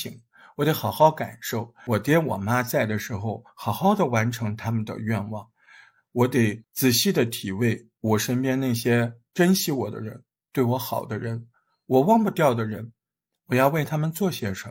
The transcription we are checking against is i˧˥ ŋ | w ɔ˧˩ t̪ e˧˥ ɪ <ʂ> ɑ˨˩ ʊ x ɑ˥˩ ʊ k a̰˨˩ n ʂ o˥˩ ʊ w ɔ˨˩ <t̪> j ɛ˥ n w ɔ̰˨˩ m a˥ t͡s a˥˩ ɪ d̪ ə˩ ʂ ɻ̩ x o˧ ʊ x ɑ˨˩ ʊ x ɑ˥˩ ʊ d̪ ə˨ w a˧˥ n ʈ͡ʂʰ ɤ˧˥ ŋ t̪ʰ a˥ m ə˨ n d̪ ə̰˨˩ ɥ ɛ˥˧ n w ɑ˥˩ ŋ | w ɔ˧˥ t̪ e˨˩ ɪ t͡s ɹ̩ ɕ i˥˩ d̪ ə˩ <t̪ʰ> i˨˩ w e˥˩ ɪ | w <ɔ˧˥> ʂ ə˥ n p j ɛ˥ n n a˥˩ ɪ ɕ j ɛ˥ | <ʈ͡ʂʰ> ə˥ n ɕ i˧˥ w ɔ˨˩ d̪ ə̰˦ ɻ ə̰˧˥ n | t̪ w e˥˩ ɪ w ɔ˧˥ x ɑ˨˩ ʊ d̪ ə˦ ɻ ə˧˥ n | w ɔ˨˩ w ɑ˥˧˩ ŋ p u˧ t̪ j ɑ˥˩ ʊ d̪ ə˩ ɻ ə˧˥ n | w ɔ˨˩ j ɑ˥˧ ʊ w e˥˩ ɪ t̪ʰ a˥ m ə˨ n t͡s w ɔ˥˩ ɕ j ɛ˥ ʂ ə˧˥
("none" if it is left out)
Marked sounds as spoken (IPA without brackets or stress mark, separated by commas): x, t̪, t̪ʰ, ɔ˨˩, ʈ͡ʂ